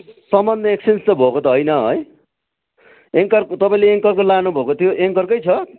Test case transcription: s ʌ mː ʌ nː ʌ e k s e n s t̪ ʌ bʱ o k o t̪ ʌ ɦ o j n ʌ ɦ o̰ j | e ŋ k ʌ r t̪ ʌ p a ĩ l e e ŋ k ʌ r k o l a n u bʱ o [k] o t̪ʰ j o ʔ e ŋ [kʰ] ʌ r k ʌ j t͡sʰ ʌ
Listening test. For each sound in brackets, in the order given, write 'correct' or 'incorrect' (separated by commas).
correct, incorrect